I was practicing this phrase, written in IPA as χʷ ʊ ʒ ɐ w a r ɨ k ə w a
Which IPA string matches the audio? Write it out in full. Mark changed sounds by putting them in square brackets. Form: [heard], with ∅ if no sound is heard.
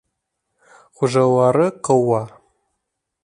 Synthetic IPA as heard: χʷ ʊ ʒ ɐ w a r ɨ [q] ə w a